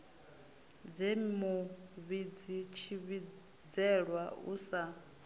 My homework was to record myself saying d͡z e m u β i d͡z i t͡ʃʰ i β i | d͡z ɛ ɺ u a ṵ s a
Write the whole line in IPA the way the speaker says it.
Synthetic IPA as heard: d͡z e m u β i d͡z i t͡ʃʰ i β i | d͡z ɛ ɺ w a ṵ s a